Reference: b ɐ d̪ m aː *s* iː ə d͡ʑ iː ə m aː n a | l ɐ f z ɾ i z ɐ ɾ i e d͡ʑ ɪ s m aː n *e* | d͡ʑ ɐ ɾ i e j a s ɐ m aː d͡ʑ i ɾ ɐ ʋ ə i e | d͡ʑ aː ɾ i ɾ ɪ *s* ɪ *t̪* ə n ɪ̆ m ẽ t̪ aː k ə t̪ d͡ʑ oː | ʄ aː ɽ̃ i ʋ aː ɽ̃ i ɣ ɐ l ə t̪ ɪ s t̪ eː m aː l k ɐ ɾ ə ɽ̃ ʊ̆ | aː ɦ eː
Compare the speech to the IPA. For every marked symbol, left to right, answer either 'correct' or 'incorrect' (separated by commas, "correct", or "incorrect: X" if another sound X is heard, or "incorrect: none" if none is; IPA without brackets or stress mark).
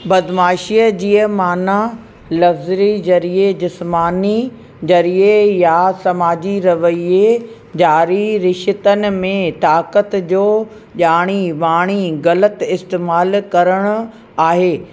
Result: incorrect: ʃ, incorrect: i, incorrect: ʃ, correct